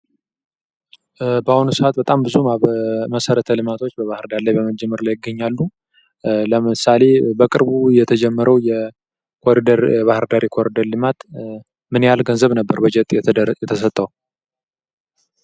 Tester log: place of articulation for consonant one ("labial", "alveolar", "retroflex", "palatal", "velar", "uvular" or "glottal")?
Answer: labial